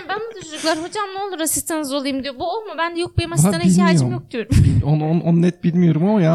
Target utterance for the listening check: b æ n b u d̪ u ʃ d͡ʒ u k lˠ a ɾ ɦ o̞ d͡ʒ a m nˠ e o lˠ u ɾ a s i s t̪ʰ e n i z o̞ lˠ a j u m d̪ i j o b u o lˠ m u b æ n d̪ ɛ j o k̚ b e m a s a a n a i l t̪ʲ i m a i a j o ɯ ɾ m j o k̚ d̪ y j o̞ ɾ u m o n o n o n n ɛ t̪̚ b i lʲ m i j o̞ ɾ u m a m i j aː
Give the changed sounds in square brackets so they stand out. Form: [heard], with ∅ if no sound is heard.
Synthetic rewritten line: b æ n b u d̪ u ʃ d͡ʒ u k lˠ a ɾ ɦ o̞ d͡ʒ a m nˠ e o lˠ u ɾ a s i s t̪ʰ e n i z o̞ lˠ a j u m d̪ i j o b u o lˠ m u b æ n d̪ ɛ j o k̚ b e m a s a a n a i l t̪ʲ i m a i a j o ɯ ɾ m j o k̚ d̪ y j o̞ ɾ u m o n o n o n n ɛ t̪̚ b i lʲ m i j o̞ ɾ u m a m [a] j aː